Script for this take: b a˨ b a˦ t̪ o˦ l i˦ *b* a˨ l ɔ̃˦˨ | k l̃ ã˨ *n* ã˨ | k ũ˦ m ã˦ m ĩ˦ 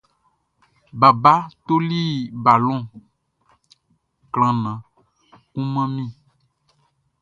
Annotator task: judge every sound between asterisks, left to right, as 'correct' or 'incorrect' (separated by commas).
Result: correct, correct